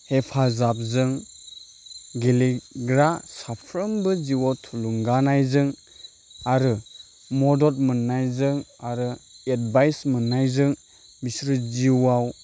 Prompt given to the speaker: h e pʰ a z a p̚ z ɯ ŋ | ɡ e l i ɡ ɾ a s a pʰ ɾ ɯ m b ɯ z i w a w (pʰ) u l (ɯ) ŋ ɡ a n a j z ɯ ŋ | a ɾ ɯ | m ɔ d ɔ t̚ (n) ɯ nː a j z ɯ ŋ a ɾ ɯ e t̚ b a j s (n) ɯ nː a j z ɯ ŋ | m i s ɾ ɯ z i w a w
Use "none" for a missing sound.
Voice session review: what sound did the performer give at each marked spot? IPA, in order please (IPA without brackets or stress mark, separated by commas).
tʰ, u, m, m